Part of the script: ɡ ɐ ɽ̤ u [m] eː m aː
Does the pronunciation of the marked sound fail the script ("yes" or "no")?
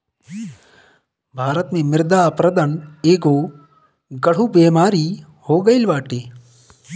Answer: yes